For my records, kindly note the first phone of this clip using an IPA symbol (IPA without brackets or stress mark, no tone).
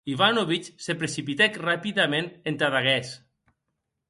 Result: i